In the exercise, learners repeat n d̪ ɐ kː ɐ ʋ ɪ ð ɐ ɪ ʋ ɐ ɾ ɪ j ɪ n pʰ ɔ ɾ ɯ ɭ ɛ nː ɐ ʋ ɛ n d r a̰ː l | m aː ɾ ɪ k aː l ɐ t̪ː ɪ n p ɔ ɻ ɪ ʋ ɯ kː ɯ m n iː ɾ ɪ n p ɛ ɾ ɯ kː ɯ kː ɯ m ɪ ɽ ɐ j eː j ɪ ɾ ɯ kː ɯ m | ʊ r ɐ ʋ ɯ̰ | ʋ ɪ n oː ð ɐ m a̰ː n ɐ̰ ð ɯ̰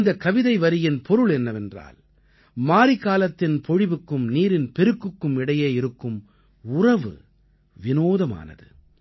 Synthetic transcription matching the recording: n d̪ ɐ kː ɐ ʋ ɪ ð ɐ ɪ ʋ ɐ ɾ ɪ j ɪ n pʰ ɔ ɾ ɯ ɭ ɛ nː ɐ ʋ ɛ n d r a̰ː l | m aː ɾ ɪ k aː l ɐ t̪ː ɪ n p ɔ ɻ ɪ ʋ ɯ kː ɯ m n iː ɾ ɪ n p ɛ ɾ ɯ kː ɯ kː ɯ m ɪ ɽ ɐ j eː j ɪ ɾ ɯ kː ɯ m | ʊ r ɐ ʋ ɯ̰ | ʋ ɪ n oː ð ɐ m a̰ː n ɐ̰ ð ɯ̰